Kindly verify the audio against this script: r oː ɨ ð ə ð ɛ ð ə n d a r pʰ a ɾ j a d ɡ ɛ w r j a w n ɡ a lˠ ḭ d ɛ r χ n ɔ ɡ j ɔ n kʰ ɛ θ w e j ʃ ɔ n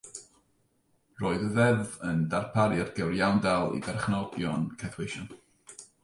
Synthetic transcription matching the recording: r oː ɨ ð ə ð ɛ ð ə n d a r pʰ a ɾ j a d ɡ ɛ w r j a w n d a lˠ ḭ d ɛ r χ n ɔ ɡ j ɔ n kʰ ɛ θ w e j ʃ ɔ n